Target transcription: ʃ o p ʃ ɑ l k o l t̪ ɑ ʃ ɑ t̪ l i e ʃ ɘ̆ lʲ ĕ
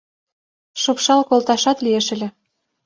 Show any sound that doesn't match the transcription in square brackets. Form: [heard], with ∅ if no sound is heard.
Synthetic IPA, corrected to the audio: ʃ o p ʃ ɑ l k o l t̪ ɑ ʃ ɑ t̪ l i e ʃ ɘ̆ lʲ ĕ